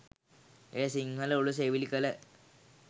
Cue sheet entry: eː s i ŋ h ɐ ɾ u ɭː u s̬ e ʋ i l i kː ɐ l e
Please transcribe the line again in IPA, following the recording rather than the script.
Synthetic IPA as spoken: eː s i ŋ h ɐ l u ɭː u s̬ e ʋ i l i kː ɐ l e